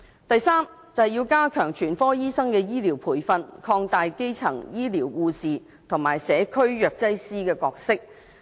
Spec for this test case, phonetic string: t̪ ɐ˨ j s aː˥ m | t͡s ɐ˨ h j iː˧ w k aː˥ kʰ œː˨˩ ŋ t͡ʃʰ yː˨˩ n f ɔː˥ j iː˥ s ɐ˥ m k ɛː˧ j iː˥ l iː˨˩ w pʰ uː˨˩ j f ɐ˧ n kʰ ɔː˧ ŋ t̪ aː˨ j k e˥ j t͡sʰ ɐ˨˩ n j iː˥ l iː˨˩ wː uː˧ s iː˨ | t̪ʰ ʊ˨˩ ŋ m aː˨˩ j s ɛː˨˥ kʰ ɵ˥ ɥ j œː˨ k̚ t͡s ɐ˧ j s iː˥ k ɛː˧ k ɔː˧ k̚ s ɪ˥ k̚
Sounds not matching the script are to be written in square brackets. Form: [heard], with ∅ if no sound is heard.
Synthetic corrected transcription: t̪ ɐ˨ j s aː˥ m | t͡s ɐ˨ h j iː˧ w k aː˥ kʰ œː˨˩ ŋ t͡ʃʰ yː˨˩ n f ɔː˥ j iː˥ s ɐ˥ [ŋ] k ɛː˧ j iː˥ l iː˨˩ w pʰ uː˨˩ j f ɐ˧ n kʰ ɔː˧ ŋ t̪ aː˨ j k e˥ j t͡sʰ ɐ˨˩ [ŋ] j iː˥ l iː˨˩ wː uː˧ s iː˨ | t̪ʰ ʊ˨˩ ŋ m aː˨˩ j s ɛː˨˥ kʰ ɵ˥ ɥ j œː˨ k̚ t͡s [ɐ˥] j s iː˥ k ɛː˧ k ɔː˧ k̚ s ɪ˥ k̚